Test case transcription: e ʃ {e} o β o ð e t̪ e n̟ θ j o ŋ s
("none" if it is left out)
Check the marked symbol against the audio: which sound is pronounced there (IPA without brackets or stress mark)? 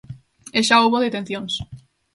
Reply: a